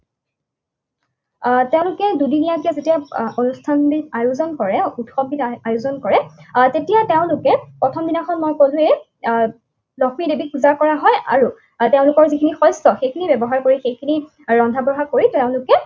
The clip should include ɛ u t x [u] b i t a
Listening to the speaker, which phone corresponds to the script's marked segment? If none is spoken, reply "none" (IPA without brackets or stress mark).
ɔ